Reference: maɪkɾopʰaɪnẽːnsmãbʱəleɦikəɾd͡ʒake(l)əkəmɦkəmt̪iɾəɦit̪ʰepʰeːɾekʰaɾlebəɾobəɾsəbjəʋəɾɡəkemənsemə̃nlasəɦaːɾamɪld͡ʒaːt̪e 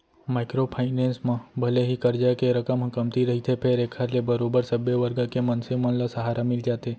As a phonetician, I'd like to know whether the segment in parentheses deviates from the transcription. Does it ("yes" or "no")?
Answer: yes